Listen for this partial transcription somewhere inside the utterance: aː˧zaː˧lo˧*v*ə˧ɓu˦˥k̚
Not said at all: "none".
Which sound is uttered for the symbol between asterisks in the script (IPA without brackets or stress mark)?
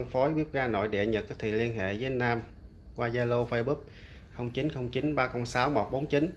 f